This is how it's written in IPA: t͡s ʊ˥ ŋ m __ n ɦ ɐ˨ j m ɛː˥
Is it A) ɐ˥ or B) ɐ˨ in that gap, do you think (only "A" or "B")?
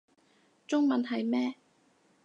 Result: B